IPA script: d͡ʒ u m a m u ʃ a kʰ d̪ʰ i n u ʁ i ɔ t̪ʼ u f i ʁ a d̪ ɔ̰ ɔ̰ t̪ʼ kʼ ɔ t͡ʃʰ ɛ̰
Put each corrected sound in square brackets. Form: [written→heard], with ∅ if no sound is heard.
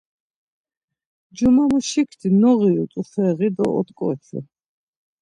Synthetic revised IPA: d͡ʒ u m a m u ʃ [a→i] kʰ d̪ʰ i n [u→ɔ] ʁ i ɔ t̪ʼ u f [i→ɛ] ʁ [a→i] d̪ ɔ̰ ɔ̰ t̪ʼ kʼ ɔ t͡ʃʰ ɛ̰

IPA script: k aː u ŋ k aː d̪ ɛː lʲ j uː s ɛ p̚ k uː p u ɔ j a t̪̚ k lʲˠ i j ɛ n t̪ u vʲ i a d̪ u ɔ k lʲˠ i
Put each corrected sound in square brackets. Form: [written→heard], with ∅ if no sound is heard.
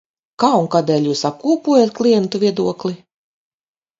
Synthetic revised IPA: k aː u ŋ k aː d̪ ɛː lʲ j uː s [ɛ→a] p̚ k uː p u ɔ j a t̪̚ k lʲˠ i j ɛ n t̪ u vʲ i [a→ɛ] d̪ u ɔ k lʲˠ i

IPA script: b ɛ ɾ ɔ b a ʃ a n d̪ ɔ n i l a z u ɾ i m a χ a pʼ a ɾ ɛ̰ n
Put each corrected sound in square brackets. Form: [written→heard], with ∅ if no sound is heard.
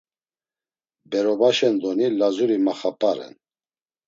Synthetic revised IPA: b ɛ ɾ ɔ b a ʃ [a→ɛ] n d̪ ɔ n i l a z u ɾ i m a χ a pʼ a ɾ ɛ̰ n

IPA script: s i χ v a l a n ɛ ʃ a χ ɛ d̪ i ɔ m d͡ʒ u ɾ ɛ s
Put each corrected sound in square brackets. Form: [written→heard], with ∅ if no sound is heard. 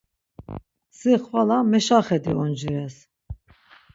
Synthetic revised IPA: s i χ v a l a [n→m] ɛ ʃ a χ ɛ d̪ i ɔ [m→n] d͡ʒ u ɾ ɛ s

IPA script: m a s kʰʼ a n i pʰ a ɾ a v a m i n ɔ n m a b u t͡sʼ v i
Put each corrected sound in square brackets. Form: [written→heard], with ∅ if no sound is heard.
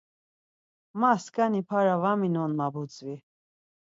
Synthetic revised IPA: m a s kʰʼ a n i pʰ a ɾ a v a m i n ɔ n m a b u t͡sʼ v i

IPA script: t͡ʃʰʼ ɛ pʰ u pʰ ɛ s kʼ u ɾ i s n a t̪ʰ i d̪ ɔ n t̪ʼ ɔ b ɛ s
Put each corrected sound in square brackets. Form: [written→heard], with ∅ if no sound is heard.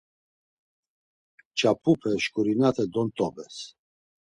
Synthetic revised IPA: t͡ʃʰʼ [ɛ→a] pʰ u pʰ ɛ [s→ʃ] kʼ u ɾ i [s→∅] n a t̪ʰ [i→ɛ] d̪ ɔ n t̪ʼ ɔ b ɛ s

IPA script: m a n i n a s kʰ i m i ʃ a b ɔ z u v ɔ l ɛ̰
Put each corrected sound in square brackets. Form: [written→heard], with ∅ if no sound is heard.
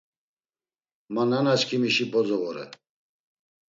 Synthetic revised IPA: m a n [i→a] n a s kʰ i m i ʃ [a→i] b ɔ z [u→ɔ] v ɔ [l→ɾ] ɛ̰

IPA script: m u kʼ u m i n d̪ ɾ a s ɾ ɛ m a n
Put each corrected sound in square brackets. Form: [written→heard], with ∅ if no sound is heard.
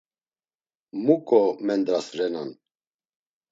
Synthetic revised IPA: m u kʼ [u→ɔ] m [i→ɛ] n d̪ ɾ a s ɾ ɛ [m→n] a n

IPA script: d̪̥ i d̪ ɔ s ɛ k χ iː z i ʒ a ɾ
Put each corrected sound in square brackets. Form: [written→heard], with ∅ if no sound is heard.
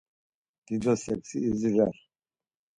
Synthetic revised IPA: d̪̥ i d̪ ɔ s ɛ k [χ→s] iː z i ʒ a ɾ

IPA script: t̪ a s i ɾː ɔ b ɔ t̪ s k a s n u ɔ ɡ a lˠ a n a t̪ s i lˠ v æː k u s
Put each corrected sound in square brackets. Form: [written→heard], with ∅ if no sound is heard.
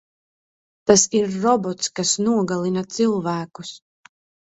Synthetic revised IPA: t̪ a s i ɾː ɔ b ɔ t̪ s k a s n u ɔ ɡ a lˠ [a→i] n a t̪ s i lˠ v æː k u s

